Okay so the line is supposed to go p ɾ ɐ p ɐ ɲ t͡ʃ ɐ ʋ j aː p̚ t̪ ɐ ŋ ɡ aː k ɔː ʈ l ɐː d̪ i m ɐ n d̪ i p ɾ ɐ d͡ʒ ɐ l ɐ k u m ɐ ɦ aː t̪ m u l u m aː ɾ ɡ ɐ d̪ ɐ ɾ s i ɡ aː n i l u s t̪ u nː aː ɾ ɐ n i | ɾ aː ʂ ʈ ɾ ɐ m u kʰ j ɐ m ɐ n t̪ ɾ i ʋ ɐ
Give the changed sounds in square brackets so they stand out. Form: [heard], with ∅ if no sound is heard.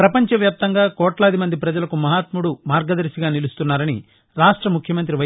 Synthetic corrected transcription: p ɾ ɐ p ɐ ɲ t͡ʃ ɐ ʋ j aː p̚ t̪ ɐ ŋ ɡ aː k ɔː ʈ l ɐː d̪ i m ɐ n d̪ i p ɾ ɐ d͡ʒ ɐ l ɐ k u m ɐ ɦ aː t̪ m u [ɽ] u m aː ɾ ɡ ɐ d̪ ɐ ɾ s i ɡ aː n i l u s t̪ u nː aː ɾ ɐ n i | ɾ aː ʂ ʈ ɾ ɐ m u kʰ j ɐ m ɐ n t̪ ɾ i ʋ ɐ